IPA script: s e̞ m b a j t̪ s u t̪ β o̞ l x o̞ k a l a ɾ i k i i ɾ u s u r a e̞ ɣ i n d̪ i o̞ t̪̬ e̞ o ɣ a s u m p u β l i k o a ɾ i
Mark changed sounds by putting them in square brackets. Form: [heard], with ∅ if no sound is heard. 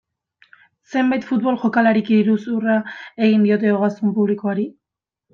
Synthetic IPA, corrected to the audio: s e̞ m b a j t̪ [f] u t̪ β o̞ l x o̞ k a l a ɾ i k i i ɾ u s u r a e̞ ɣ i n d̪ i o̞ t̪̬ e̞ o ɣ a s u m p u β l i k o a ɾ i